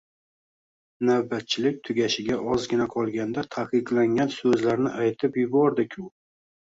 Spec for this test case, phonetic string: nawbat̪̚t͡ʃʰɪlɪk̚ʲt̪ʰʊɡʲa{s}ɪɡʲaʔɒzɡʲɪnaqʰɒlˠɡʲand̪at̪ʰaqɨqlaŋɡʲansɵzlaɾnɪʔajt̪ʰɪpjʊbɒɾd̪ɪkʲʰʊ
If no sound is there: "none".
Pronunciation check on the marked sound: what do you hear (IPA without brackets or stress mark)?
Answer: ʃ